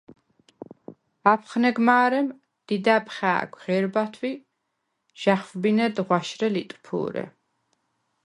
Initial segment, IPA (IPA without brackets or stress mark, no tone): a